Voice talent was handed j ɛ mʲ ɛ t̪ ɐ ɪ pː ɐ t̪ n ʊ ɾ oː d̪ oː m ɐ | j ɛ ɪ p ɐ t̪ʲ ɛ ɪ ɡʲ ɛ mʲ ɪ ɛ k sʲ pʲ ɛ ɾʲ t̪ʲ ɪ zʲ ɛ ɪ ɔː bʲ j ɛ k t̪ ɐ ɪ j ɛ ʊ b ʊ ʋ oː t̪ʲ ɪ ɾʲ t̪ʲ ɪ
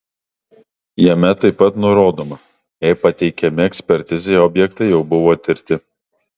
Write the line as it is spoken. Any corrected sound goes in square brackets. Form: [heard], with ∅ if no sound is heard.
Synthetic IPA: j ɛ mʲ ɛ t̪ ɐ ɪ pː ɐ t̪ n ʊ ɾ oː d̪ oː m ɐ | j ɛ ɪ p ɐ t̪ʲ ɛ ɪ [kʲ] ɛ mʲ ɪ ɛ k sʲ pʲ ɛ ɾʲ t̪ʲ ɪ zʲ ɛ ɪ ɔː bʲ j ɛ k t̪ ɐ ɪ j ɛ ʊ b ʊ ʋ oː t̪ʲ ɪ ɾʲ t̪ʲ ɪ